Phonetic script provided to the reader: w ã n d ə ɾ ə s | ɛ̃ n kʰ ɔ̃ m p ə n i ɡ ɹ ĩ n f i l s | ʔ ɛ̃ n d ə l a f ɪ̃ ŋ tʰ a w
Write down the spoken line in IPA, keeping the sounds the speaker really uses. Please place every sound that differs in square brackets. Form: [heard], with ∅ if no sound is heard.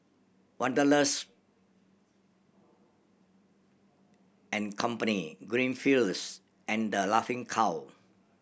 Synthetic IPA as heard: w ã n d ə [l] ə s | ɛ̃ n kʰ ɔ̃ m p ə n i ɡ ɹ ĩ n f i l s | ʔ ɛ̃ n d ə l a f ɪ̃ ŋ [kʰ] a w